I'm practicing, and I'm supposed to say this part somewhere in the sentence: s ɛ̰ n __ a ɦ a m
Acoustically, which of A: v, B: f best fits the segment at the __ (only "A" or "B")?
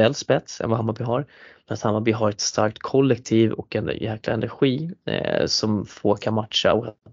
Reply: A